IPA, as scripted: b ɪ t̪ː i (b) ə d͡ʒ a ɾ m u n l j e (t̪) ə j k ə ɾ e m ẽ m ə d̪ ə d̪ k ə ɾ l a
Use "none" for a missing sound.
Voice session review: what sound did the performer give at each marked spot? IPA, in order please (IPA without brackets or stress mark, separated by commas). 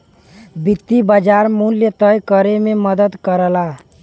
b, t̪